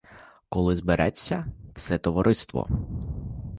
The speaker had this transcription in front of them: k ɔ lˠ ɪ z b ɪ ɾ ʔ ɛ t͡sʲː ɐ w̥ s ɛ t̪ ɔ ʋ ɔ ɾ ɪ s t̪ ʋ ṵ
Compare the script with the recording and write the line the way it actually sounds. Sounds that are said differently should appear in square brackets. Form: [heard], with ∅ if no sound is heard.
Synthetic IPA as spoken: k ɔ lˠ ɪ z b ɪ ɾ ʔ ɛ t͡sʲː ɐ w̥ s ɛ t̪ ɔ ʋ ɔ ɾ ɪ s t̪ ʋ [ɔ̰]